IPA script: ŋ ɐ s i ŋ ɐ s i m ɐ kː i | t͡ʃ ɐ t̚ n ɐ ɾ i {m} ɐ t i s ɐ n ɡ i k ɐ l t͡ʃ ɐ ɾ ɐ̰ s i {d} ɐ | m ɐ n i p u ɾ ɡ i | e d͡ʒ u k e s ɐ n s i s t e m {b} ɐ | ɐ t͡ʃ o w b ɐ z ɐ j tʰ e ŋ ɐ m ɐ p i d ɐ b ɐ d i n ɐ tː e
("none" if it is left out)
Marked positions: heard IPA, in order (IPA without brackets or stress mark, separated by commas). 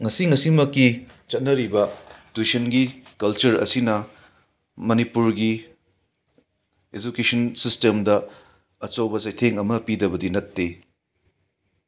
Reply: b, n, d